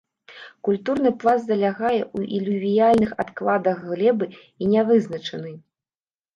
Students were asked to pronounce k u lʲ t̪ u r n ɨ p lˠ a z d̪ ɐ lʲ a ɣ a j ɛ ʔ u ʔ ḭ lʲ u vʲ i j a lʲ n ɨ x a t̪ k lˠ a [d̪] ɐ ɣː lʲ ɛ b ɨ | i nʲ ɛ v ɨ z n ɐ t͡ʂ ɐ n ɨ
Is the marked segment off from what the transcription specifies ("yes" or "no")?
no